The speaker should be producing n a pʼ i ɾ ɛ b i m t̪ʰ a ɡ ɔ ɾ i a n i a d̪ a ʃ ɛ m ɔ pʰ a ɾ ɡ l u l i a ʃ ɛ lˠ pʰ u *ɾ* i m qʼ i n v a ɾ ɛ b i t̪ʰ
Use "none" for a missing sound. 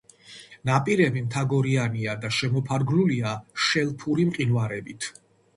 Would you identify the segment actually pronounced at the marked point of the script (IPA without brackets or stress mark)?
ɾ